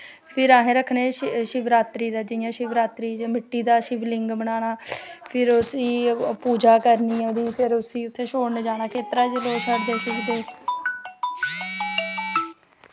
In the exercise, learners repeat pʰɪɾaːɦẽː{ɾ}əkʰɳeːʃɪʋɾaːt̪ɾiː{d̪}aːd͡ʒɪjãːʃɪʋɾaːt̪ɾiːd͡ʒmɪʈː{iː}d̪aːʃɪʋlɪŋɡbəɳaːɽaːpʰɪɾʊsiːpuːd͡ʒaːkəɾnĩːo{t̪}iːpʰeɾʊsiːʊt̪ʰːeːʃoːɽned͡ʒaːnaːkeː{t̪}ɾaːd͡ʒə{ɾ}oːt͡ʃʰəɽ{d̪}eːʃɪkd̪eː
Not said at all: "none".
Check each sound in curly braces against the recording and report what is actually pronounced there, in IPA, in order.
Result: ɾ, d̪, iː, d̪, t̪, l, d̪

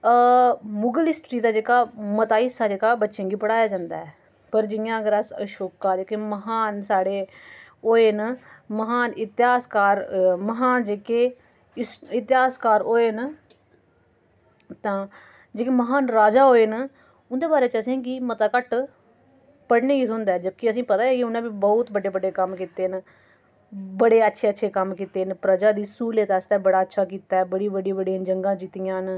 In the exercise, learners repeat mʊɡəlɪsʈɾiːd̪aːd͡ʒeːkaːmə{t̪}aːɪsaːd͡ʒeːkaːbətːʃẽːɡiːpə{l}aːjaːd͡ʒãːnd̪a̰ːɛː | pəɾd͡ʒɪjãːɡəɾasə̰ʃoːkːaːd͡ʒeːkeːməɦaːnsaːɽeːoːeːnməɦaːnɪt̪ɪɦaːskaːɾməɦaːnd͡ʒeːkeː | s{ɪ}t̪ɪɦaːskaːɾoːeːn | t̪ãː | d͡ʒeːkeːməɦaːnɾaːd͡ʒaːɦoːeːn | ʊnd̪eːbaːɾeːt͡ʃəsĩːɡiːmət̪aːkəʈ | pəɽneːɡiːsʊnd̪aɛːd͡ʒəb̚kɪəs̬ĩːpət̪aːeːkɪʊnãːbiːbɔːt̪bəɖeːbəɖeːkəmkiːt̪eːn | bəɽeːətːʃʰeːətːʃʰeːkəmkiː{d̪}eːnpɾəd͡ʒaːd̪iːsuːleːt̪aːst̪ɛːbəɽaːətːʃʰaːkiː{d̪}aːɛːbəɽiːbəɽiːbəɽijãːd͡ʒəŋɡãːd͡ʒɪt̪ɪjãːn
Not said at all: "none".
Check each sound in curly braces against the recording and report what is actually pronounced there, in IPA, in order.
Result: t̪, ɽ, ɪ, t̪, t̪

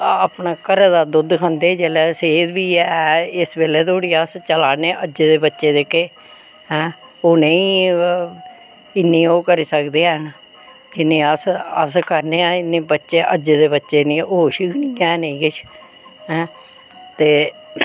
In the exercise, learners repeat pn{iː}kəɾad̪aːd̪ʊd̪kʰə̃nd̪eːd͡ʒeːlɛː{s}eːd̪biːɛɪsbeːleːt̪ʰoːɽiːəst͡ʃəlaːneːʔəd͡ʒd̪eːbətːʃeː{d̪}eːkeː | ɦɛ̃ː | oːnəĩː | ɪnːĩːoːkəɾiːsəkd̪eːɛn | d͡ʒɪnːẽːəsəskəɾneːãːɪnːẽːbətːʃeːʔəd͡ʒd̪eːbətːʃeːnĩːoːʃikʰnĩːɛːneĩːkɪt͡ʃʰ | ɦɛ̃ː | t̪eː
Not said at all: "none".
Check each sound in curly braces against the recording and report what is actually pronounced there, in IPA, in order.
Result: aː, s, d̪

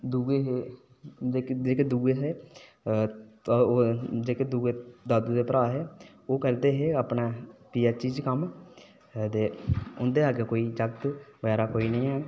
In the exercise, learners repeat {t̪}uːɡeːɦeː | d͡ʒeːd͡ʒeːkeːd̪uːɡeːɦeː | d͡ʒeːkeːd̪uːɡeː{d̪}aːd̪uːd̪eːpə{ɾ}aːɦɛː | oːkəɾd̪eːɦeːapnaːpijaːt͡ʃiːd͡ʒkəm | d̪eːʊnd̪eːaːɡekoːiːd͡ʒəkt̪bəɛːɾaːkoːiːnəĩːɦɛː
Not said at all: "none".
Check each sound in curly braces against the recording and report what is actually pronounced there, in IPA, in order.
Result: d̪, d̪, ɾ

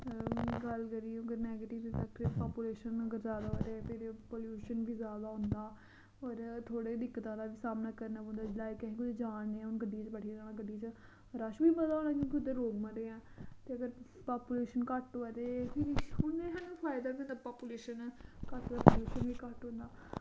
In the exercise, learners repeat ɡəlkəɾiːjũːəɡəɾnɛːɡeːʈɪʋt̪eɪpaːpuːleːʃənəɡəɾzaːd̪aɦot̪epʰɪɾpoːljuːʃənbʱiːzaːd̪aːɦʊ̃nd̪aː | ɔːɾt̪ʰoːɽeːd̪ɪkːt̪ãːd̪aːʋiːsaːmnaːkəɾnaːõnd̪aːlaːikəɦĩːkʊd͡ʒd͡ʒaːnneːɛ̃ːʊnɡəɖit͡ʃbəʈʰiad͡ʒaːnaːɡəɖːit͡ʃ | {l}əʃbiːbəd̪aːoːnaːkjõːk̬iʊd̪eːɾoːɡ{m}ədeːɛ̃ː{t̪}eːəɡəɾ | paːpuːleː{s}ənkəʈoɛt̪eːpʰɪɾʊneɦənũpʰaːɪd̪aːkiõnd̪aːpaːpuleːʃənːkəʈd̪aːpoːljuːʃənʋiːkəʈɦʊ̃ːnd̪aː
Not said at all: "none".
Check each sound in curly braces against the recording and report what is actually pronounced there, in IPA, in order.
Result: ɾ, m, t̪, ʃ

